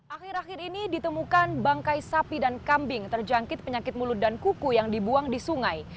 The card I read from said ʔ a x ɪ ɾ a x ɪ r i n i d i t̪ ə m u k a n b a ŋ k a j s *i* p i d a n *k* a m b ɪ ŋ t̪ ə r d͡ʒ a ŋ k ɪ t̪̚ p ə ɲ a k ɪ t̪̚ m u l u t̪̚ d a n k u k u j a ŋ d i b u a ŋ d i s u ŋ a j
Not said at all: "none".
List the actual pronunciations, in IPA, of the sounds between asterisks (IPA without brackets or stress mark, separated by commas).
a, k